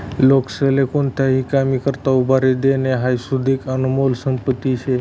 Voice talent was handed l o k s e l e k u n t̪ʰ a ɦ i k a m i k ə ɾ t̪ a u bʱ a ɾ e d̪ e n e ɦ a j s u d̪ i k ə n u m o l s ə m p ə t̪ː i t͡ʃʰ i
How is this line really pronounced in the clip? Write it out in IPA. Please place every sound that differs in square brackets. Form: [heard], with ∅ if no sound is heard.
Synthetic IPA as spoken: l o k s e l e k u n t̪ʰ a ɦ i k a m i k ə ɾ t̪ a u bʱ a ɾ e d̪ e n e ɦ a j s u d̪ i k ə n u m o l s ə m p ə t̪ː i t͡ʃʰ [e]